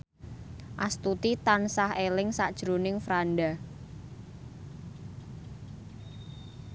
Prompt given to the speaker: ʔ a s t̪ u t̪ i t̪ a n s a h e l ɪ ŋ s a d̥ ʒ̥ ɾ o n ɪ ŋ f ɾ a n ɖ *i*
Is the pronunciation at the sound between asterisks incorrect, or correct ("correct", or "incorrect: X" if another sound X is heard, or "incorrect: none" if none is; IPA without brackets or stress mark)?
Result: incorrect: a